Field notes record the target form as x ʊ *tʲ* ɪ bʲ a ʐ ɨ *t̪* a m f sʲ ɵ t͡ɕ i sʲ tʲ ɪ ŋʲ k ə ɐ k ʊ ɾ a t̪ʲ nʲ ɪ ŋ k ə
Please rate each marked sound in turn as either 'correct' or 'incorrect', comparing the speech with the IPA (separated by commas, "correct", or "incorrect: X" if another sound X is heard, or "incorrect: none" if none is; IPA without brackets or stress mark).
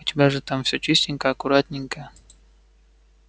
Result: correct, correct